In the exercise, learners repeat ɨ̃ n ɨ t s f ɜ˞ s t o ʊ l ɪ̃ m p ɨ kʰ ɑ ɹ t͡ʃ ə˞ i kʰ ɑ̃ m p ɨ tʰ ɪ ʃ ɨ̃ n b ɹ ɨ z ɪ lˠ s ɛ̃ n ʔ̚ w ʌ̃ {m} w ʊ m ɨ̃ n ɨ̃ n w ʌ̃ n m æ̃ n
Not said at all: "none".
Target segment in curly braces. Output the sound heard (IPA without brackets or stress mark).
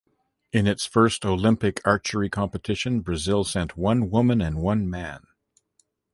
n